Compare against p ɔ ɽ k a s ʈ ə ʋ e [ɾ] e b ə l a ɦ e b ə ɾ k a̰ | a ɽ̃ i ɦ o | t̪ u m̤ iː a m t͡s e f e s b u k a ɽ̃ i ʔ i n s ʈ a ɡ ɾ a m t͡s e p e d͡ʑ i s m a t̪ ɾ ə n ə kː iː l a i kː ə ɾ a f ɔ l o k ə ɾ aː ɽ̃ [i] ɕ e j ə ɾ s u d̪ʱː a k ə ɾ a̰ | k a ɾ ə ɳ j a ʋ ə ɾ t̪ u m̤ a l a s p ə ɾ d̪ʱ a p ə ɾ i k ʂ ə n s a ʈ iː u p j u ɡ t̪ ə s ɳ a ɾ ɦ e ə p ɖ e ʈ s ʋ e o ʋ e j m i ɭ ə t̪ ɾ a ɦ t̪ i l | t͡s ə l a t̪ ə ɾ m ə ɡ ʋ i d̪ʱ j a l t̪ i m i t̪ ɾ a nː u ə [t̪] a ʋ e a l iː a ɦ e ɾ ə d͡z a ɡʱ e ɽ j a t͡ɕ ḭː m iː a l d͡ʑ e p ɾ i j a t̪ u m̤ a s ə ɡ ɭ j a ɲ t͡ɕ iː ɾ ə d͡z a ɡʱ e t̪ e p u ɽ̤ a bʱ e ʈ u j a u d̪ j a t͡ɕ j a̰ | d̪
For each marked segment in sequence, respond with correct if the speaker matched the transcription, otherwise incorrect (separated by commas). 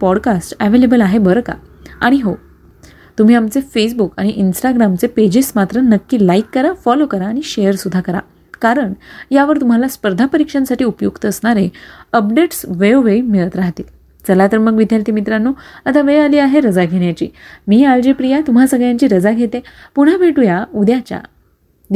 incorrect, correct, correct